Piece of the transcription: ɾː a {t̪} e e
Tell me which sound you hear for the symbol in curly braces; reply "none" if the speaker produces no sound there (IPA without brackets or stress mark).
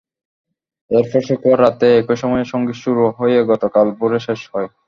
t̪